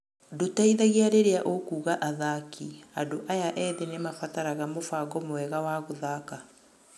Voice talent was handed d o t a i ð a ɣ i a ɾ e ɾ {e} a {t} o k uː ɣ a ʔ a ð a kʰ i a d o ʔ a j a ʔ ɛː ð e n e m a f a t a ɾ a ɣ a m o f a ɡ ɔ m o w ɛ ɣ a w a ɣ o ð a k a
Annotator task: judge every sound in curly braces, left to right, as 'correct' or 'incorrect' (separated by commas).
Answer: correct, incorrect